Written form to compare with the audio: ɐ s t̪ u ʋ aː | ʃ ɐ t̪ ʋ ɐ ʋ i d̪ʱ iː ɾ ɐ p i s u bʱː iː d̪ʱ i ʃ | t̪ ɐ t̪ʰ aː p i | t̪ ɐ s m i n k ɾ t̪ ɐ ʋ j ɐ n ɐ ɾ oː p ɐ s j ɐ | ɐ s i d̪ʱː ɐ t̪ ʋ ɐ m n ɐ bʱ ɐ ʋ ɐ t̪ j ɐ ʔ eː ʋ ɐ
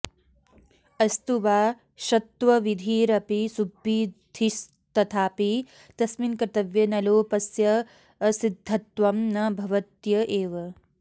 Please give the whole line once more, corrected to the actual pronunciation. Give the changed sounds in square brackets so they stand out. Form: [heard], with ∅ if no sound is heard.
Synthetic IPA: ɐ s t̪ u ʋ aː | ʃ ɐ t̪ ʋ ɐ ʋ i d̪ʱ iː ɾ ɐ p i s u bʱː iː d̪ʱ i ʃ | t̪ ɐ t̪ʰ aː p i | t̪ ɐ s m i n k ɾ t̪ ɐ ʋ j ɐ n ɐ [l] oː p ɐ s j ɐ | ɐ s i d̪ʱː ɐ t̪ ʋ ɐ m n ɐ bʱ ɐ ʋ ɐ t̪ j ɐ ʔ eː ʋ ɐ